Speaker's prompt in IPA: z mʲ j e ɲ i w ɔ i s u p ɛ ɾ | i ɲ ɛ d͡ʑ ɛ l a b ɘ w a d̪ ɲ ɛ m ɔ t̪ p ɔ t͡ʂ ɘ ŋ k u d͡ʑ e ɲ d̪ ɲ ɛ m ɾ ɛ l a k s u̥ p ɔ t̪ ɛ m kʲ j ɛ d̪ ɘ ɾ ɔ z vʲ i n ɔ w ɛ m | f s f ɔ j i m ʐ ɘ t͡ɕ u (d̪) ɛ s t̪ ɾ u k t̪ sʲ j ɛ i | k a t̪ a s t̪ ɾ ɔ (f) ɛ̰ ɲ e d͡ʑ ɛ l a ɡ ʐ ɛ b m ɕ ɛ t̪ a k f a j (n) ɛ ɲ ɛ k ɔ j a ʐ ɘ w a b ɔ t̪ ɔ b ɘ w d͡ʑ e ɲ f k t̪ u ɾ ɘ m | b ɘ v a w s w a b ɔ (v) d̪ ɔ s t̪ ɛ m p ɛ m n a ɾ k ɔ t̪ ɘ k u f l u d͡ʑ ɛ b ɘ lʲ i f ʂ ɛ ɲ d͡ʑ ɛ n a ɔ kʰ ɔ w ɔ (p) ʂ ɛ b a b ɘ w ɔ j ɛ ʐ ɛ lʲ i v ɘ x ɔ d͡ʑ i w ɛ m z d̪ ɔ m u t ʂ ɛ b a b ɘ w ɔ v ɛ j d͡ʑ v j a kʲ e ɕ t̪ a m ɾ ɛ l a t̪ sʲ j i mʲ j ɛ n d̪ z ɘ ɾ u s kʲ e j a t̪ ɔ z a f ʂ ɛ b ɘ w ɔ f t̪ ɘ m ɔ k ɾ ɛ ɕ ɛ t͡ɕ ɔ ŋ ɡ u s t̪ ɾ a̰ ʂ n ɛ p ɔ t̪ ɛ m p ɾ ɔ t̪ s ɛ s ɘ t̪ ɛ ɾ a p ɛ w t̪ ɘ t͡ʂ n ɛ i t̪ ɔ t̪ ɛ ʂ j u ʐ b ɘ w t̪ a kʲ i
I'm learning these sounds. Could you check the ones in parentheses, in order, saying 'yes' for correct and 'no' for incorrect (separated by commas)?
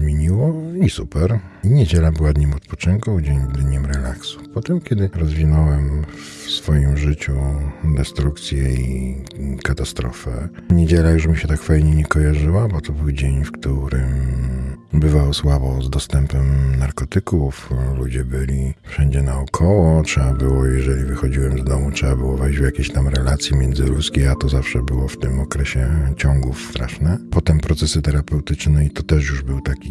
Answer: yes, yes, no, no, no